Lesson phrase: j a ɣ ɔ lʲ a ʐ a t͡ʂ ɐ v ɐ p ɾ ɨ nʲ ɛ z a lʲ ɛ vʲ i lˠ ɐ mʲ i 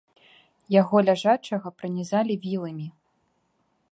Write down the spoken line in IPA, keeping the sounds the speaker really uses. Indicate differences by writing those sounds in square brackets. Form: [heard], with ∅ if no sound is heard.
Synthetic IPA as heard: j a ɣ ɔ lʲ a ʐ a t͡ʂ ɐ [ɣ] ɐ p ɾ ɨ nʲ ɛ z a lʲ [i] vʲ i lˠ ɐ mʲ i